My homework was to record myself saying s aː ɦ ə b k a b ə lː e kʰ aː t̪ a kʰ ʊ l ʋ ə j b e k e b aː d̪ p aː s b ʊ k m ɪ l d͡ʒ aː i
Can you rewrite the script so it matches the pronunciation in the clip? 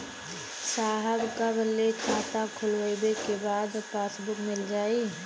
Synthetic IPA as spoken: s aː ɦ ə b k a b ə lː e kʰ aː t̪ a kʰ ʊ l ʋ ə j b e k e b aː d̪ p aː s b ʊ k m ɪ l d͡ʒ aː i